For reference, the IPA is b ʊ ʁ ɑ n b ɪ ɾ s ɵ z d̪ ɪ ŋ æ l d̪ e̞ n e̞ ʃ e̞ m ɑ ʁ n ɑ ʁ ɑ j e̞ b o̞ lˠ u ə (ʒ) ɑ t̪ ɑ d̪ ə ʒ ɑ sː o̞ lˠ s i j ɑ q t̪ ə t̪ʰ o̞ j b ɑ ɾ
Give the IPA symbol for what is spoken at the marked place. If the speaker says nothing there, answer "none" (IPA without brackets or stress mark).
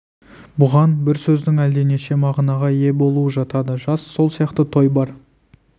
ʒ